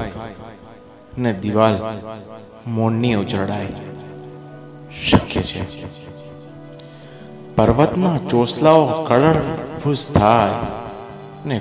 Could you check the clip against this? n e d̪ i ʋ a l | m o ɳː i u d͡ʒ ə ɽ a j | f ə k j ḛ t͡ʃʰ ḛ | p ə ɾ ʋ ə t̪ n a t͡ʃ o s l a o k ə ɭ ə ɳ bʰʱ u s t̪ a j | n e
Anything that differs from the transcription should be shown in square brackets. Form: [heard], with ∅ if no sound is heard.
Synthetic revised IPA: n e d̪ i ʋ a l | m o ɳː i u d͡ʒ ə ɽ a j | [ʃ] ə k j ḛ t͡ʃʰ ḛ | p ə ɾ ʋ ə t̪ n a t͡ʃ o s l a o k ə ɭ ə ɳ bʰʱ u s [t̪ʰ] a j | n e